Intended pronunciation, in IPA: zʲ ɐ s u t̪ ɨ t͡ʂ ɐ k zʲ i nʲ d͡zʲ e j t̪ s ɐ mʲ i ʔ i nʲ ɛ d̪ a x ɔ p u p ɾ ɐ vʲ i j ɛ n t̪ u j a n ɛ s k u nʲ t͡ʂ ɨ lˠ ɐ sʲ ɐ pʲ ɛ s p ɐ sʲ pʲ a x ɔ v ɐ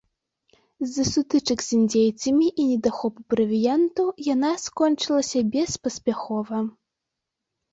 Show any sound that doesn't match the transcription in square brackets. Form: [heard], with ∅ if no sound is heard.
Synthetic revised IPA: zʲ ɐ s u t̪ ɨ t͡ʂ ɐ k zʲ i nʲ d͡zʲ e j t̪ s ɐ mʲ i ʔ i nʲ ɛ d̪ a x ɔ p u p ɾ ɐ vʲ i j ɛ n t̪ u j a n [a] s k [ɔ] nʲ t͡ʂ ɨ lˠ ɐ sʲ ɐ [bʲ] ɛ s p ɐ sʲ pʲ a x ɔ v ɐ